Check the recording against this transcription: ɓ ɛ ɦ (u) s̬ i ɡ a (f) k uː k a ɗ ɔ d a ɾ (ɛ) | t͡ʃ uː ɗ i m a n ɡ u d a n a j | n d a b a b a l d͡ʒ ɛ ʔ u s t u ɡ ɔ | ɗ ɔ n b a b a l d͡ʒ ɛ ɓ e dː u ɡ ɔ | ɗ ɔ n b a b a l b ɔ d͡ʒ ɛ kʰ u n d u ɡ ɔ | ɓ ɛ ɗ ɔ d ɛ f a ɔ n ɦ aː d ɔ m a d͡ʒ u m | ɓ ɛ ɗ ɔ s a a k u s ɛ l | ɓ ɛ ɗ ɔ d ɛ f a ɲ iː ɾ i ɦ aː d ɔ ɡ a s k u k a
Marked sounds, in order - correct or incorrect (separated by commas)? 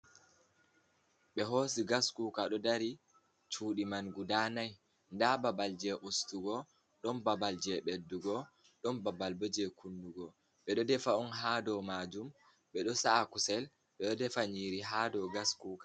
incorrect, incorrect, incorrect